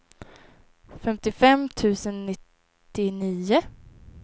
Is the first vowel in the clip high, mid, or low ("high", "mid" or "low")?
mid